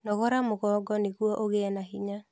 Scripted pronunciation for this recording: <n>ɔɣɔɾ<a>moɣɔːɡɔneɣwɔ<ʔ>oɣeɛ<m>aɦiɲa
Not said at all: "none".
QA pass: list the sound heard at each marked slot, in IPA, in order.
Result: n, a, ʔ, n

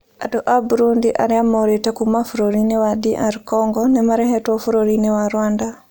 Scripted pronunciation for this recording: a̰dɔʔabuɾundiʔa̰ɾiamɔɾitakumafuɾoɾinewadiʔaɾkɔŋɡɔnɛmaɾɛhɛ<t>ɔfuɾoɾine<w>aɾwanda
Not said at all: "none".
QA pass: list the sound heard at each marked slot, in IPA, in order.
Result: t, w

